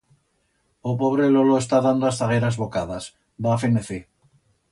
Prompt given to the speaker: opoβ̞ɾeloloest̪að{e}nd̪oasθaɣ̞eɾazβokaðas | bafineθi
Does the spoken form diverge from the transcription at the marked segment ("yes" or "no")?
yes